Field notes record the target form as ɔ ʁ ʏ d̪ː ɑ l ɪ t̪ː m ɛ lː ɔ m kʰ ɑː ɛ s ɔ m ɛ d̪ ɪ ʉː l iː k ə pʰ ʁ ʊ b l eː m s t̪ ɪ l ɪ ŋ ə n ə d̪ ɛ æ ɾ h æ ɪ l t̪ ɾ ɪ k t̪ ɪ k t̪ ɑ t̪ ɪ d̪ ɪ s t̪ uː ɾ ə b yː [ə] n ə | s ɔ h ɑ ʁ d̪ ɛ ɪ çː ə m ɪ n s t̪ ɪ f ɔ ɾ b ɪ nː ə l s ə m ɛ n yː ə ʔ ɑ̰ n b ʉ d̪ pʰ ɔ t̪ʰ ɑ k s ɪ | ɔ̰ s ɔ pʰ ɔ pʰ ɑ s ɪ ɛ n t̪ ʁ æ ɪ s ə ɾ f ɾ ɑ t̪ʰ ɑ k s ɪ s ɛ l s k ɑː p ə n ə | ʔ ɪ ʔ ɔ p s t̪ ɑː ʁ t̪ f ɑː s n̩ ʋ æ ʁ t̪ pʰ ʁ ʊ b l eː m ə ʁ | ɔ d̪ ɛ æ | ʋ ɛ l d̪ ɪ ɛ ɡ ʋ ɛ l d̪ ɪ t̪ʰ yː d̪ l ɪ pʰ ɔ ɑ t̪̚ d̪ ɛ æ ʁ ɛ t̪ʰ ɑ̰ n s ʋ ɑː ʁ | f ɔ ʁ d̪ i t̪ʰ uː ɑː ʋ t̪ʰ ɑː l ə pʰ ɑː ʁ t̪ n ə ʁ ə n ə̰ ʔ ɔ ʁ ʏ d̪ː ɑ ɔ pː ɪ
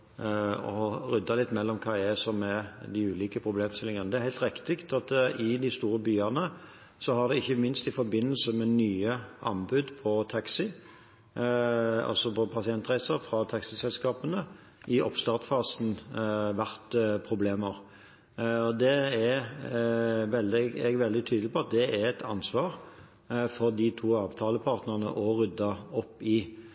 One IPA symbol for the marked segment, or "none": ɑ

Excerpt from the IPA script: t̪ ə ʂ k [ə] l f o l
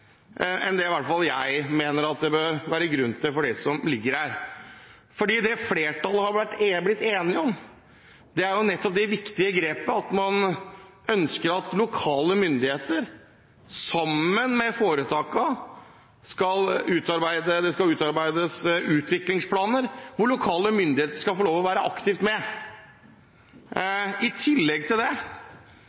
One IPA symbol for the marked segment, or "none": ɑ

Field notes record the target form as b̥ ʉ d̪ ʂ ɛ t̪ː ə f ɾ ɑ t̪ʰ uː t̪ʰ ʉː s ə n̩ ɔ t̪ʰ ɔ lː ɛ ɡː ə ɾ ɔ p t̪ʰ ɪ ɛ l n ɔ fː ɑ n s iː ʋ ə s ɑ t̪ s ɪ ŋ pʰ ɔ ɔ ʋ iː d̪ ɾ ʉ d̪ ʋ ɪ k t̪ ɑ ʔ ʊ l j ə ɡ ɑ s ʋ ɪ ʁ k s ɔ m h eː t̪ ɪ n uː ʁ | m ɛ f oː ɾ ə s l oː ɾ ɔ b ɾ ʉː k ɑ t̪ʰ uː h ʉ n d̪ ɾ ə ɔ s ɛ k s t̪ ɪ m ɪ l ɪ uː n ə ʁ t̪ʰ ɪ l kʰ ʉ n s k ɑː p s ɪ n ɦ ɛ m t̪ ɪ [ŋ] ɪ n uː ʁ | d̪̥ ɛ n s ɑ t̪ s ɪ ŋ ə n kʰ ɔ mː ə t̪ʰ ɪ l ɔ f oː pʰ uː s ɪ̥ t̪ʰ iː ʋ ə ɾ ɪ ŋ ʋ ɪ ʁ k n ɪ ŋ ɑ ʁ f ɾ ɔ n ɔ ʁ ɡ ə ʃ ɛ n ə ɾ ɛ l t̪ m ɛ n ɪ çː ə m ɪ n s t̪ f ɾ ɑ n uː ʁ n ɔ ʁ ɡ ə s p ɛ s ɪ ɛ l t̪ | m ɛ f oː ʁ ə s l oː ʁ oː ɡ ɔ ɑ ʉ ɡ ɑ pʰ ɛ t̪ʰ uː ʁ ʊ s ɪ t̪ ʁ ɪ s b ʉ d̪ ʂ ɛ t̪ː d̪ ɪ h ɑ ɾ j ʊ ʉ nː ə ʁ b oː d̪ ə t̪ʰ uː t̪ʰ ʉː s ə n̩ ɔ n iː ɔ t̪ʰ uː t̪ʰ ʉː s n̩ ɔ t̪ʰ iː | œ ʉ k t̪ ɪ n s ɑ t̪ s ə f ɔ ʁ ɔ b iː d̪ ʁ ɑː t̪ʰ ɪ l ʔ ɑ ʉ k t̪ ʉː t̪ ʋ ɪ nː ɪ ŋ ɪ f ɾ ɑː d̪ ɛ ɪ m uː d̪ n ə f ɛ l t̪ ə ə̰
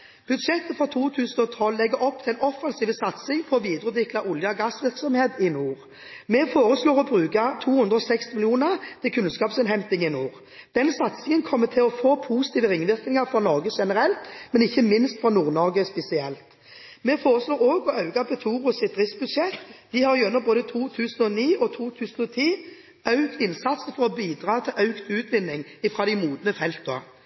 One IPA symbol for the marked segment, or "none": ŋ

